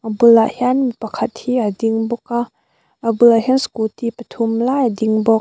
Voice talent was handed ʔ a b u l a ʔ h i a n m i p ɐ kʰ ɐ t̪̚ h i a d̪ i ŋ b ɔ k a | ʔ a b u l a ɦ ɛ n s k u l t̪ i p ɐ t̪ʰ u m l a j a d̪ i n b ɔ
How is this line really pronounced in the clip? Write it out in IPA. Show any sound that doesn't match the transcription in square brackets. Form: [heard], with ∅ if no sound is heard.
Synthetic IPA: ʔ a b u l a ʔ h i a n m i p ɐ kʰ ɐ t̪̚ h i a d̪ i ŋ b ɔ k a | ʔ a b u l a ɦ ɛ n s k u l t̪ i p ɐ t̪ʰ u m l a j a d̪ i [ŋ] b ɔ